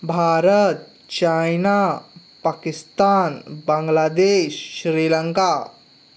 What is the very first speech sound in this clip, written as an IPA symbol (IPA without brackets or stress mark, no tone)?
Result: bʱ